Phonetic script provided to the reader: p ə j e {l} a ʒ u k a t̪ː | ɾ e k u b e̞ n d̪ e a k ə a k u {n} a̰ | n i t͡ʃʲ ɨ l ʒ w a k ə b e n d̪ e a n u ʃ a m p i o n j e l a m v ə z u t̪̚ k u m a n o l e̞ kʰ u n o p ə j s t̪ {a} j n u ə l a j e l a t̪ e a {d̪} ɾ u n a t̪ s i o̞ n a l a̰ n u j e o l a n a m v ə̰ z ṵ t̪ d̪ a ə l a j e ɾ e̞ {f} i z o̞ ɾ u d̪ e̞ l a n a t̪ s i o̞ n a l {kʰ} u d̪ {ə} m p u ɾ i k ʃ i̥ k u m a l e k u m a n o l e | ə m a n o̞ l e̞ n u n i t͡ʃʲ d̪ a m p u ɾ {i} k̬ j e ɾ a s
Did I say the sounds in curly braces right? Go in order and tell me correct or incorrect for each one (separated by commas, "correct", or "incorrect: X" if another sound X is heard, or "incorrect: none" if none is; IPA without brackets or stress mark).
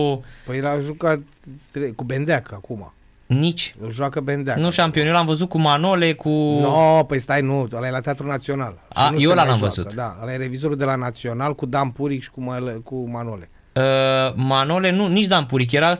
correct, incorrect: m, correct, incorrect: t̪, incorrect: v, incorrect: k, incorrect: a, correct